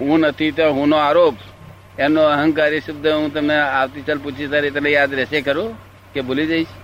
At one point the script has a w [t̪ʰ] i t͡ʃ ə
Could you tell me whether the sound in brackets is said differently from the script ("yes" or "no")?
yes